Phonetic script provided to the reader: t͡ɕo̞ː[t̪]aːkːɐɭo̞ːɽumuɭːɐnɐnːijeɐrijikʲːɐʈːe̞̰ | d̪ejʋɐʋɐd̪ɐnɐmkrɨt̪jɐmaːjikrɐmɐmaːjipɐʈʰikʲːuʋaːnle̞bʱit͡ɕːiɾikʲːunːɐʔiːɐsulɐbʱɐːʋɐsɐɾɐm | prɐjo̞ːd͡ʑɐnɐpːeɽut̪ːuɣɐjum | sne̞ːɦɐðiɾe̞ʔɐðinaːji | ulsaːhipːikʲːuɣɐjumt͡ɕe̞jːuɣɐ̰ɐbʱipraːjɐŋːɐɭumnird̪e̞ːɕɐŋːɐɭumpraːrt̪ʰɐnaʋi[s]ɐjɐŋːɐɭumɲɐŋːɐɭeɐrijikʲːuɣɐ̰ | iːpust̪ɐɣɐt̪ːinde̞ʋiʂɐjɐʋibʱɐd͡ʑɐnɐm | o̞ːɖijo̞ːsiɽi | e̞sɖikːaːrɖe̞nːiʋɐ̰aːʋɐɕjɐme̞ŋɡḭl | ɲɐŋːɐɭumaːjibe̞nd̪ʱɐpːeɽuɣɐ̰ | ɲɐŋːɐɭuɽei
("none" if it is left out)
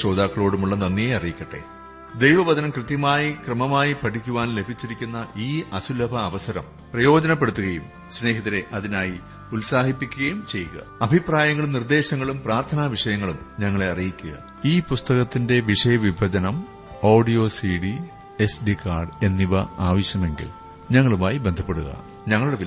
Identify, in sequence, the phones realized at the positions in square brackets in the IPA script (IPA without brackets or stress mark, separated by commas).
d̪, ʂ